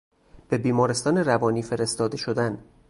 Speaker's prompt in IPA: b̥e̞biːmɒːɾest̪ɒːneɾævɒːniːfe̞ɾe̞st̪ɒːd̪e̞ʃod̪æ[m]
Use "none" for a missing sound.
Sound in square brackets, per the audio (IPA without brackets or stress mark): n